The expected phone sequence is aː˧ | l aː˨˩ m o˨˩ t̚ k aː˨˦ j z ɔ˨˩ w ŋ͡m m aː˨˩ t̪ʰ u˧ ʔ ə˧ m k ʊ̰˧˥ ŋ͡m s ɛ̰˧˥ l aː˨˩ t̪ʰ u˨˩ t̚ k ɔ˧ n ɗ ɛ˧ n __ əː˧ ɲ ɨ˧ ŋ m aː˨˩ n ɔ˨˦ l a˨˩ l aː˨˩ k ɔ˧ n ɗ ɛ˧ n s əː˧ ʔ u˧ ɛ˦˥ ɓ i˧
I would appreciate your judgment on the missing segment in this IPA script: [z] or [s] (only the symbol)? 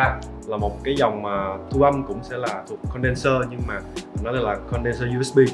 s